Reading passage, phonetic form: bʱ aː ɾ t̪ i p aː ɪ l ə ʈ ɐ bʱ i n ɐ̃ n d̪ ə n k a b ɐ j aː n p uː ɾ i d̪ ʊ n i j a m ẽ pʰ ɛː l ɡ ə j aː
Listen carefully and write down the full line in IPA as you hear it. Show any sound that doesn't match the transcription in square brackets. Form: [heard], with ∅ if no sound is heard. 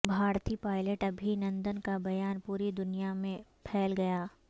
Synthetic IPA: bʱ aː ɾ t̪ i p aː ɪ l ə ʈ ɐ bʱ i n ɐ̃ n d̪ ə n k a b ɐ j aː n p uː ɾ i d̪ ʊ n i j a m ẽ pʰ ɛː l ɡ [ɐ] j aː